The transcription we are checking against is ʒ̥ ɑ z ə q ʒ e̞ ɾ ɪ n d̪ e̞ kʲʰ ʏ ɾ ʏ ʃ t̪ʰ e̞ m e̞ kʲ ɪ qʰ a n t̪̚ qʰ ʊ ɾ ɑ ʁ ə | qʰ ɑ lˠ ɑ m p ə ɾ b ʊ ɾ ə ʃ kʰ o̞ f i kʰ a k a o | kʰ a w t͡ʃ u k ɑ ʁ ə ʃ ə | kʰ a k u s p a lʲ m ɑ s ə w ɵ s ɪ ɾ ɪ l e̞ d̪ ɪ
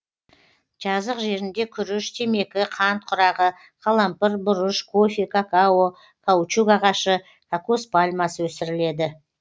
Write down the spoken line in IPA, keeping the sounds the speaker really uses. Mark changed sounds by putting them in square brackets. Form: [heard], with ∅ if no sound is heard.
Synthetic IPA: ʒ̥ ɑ z ə q ʒ e̞ ɾ ɪ n d̪ e̞ kʲʰ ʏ ɾ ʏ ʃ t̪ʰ e̞ m e̞ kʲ ɪ qʰ [ɑ] n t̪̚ qʰ ʊ ɾ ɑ ʁ ə | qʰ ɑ lˠ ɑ m p ə ɾ b ʊ ɾ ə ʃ kʰ o̞ f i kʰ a k a o | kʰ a w t͡ʃ u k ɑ ʁ [ɑ] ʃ ə | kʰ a k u s p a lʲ m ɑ s ə w ɵ s ɪ ɾ ɪ l e̞ d̪ ɪ